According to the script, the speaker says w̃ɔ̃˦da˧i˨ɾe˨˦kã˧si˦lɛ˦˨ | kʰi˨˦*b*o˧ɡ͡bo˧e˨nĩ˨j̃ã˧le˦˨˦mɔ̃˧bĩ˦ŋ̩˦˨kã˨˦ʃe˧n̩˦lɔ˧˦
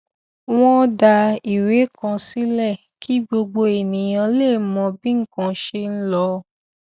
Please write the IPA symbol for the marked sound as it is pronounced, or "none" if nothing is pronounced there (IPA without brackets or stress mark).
ɡ͡b